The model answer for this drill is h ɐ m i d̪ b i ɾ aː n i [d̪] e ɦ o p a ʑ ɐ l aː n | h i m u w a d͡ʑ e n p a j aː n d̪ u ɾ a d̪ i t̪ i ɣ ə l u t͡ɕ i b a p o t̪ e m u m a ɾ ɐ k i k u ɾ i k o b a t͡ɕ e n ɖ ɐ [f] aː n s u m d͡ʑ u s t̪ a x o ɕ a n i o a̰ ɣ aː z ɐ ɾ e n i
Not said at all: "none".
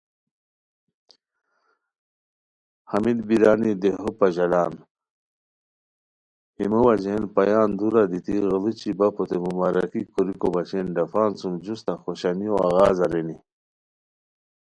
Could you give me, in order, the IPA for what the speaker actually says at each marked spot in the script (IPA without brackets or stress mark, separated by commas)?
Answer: d̪, f